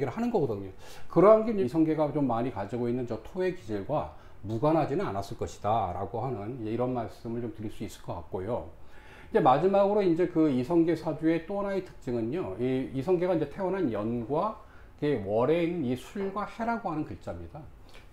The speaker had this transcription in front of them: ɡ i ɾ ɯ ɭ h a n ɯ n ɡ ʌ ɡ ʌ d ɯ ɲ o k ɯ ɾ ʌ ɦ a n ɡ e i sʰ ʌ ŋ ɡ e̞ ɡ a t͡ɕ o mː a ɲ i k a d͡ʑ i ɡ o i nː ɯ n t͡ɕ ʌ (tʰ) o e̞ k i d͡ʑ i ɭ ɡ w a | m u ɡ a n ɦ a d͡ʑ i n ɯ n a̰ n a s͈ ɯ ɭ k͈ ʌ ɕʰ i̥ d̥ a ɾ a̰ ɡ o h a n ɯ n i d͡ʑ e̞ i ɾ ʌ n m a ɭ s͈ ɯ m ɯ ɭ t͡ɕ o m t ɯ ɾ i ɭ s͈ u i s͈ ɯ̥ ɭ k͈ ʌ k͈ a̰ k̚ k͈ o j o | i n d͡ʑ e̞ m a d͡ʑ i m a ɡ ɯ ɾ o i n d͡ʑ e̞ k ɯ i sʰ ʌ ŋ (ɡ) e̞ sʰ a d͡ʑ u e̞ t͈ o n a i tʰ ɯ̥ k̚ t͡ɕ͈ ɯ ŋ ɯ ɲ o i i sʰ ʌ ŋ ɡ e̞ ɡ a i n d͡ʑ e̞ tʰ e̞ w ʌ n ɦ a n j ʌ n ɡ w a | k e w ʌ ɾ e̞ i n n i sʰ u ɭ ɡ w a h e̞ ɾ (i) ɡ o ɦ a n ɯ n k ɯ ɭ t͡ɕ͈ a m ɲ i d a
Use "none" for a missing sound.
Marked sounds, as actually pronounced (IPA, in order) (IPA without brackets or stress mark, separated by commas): tʰ, ɡ, a